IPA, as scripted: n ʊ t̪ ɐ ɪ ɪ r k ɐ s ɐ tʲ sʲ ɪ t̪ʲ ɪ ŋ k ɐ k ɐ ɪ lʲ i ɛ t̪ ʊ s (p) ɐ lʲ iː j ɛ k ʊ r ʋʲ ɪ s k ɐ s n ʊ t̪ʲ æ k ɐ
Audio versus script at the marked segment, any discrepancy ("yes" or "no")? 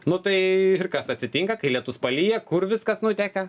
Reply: no